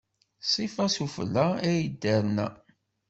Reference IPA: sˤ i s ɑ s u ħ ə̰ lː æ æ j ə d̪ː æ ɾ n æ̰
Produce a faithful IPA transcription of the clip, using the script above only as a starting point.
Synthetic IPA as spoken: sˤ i f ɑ s u f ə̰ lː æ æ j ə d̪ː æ ɾ n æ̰